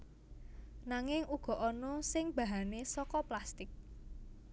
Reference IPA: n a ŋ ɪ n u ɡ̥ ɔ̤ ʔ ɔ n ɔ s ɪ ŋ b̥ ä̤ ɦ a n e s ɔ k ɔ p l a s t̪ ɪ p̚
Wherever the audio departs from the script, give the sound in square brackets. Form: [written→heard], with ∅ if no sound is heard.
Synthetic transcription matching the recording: n a ŋ ɪ [n→ŋ] u ɡ̥ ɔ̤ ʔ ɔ n ɔ s ɪ ŋ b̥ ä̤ ɦ a n e s ɔ k ɔ p l a s t̪ ɪ [p̚→k̚]